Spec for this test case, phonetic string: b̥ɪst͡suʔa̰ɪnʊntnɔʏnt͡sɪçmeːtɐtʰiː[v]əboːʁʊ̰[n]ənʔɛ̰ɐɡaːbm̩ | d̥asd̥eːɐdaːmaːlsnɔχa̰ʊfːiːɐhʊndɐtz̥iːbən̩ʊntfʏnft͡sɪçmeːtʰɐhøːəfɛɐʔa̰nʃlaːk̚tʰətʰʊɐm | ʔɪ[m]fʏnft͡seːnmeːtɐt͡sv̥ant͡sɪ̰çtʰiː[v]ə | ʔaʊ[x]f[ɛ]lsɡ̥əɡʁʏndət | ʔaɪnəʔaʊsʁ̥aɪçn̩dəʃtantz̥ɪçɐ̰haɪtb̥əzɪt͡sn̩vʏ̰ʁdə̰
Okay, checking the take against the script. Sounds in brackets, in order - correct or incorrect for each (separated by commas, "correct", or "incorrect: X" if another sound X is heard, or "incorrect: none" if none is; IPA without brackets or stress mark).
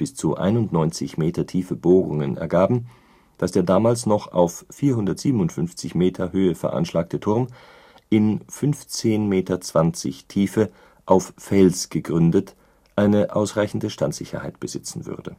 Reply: incorrect: f, incorrect: ŋ, incorrect: n, incorrect: f, incorrect: f, correct